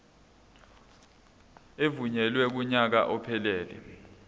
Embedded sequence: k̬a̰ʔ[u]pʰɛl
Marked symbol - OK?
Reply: no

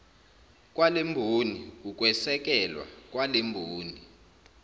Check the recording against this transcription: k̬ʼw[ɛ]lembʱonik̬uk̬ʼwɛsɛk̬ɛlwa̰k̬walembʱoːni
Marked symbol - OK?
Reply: no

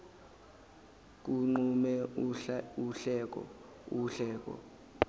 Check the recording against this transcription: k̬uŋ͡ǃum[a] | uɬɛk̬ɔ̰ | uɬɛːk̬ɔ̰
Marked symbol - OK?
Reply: no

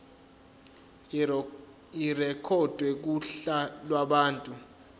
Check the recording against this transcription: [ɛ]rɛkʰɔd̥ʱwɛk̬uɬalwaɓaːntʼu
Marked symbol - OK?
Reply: no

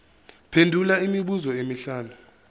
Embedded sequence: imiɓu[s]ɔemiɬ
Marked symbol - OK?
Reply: no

